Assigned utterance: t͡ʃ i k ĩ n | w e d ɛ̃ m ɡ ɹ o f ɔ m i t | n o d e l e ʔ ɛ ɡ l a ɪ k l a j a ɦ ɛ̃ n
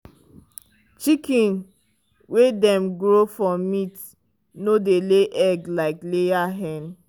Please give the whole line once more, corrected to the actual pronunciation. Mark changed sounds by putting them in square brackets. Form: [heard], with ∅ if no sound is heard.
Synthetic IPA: t͡ʃ i k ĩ n | w e d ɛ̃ m ɡ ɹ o f ɔ m i t | n o d e l e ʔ ɛ ɡ l a ɪ k l [e] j a ɦ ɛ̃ n